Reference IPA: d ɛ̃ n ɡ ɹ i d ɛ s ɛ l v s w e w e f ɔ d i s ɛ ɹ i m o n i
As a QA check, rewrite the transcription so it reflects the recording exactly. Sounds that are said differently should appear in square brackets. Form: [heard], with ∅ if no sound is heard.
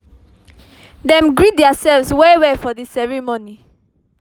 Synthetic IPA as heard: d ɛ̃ [m] ɡ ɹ i d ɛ s ɛ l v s w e w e f ɔ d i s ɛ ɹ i m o n i